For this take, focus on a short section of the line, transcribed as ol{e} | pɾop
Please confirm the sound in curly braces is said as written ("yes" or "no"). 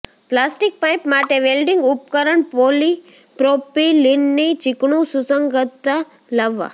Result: no